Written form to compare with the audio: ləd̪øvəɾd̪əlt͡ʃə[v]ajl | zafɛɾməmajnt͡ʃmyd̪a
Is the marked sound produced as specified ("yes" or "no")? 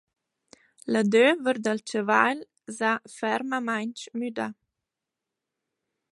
yes